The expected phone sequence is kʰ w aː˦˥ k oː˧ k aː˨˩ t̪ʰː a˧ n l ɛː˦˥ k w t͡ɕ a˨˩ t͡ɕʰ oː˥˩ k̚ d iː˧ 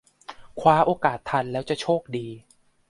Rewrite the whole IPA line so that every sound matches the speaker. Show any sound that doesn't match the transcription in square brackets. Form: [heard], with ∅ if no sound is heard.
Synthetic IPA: kʰ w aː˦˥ [ʔ] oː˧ k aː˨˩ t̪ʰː a˧ n l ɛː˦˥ [∅] w t͡ɕ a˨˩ t͡ɕʰ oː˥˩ k̚ d iː˧